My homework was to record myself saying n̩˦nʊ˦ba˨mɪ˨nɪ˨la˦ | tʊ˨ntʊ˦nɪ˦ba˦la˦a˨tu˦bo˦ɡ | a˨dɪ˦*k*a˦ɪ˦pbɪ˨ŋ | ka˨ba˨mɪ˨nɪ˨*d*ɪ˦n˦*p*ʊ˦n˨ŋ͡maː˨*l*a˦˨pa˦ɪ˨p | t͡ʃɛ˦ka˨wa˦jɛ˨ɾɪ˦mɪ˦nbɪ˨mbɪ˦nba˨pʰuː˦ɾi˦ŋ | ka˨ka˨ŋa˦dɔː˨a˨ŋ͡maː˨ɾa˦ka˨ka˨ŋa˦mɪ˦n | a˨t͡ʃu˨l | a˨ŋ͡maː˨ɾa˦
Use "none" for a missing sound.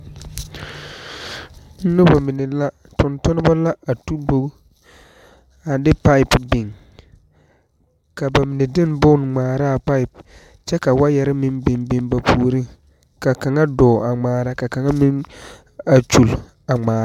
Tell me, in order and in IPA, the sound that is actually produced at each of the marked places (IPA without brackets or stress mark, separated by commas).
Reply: p, d, b, ɾ